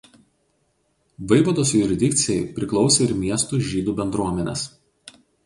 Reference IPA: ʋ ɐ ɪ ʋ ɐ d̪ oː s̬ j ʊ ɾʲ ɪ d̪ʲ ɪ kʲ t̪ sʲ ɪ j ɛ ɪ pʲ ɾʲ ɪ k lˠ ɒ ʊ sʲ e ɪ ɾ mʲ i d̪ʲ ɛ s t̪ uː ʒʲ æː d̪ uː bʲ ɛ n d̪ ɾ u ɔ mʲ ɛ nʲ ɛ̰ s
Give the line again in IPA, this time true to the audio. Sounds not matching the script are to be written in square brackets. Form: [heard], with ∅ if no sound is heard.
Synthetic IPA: ʋ ɐ ɪ ʋ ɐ d̪ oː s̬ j ʊ ɾʲ ɪ d̪ʲ ɪ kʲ t̪ sʲ ɪ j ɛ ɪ pʲ ɾʲ ɪ k lˠ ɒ ʊ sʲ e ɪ ɾ mʲ i [∅] ɛ s t̪ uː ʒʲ [iː] d̪ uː bʲ ɛ n d̪ ɾ u ɔ mʲ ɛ nʲ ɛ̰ s